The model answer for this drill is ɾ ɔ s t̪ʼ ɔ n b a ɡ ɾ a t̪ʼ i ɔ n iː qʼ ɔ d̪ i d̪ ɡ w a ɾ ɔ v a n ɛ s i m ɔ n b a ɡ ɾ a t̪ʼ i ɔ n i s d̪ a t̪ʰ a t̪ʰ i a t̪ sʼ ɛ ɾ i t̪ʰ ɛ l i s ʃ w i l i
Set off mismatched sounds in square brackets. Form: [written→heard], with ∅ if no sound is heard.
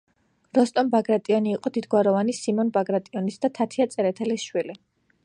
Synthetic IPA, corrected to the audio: ɾ ɔ s t̪ʼ ɔ n b a ɡ ɾ a t̪ʼ i ɔ n iː qʼ ɔ d̪ i d̪ ɡ w a ɾ ɔ v a n [ɛ→i] s i m ɔ n b a ɡ ɾ a t̪ʼ i ɔ n i s d̪ a t̪ʰ a t̪ʰ i a t̪ sʼ ɛ ɾ [i→ɛ] t̪ʰ ɛ l i s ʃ w i l i